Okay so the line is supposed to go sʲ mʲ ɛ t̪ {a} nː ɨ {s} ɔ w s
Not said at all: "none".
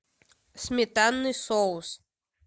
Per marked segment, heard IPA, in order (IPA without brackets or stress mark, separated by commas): a, s